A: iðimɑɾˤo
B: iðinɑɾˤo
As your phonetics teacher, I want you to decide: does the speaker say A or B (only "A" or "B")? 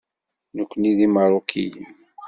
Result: A